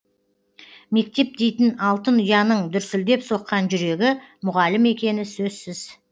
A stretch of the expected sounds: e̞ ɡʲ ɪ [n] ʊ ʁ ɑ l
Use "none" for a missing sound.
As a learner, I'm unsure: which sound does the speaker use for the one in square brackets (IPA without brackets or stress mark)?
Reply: m